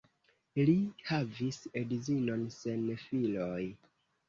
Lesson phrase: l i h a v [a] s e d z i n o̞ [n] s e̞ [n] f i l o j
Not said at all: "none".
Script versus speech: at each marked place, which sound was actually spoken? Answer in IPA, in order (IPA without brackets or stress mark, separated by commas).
i, n, n